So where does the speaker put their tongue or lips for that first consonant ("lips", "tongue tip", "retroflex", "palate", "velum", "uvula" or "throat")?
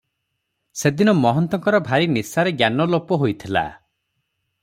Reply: tongue tip